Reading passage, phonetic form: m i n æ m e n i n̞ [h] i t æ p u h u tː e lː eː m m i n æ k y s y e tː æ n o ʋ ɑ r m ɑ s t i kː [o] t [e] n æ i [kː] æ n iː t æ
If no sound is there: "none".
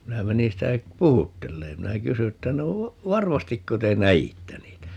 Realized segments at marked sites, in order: s, o, e, tː

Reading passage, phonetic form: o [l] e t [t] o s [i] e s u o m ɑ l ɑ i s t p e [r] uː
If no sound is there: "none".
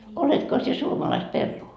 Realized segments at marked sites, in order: l, k, i, rː

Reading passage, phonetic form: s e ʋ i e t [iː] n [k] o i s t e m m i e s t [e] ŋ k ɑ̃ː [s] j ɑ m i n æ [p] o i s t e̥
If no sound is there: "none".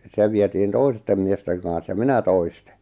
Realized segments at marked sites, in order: iː, t, e, s, t

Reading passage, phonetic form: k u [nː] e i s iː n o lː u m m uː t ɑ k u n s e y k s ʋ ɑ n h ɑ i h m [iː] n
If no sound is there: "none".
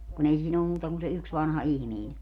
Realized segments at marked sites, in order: n, iː

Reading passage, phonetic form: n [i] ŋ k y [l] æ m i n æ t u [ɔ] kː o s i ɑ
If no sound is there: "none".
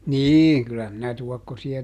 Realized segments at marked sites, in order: iː, lː, ɔ

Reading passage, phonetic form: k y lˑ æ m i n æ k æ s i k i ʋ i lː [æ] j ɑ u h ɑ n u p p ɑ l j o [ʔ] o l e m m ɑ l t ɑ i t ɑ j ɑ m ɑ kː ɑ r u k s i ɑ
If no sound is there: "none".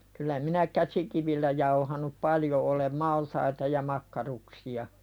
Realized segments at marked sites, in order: æ, ʔ

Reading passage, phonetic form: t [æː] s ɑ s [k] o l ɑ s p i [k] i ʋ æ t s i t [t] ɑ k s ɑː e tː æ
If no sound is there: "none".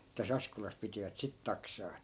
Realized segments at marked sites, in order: æ, k, t, t

